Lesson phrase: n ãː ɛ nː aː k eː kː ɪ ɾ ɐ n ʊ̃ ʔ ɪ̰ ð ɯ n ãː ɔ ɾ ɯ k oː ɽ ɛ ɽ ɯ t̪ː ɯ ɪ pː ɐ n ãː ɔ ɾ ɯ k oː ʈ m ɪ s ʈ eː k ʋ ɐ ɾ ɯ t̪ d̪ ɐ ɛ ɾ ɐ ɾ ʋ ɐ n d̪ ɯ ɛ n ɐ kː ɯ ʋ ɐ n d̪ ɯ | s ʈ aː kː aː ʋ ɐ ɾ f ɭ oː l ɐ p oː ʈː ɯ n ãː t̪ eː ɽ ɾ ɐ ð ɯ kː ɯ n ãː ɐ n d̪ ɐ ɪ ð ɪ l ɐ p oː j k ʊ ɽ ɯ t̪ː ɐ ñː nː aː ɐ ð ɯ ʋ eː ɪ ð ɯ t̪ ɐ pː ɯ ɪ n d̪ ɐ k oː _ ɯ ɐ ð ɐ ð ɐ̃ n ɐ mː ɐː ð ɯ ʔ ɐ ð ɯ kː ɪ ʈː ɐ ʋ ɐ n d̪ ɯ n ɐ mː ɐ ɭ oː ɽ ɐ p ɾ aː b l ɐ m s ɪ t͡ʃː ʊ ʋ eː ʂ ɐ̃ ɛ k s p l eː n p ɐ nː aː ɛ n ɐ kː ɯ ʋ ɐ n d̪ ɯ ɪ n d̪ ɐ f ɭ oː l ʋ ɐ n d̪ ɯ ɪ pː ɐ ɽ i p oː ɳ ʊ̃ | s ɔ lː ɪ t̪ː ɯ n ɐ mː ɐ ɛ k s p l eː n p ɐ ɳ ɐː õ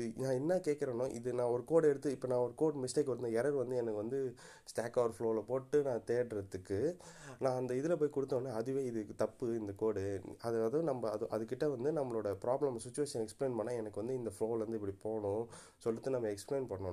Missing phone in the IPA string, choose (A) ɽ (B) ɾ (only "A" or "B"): A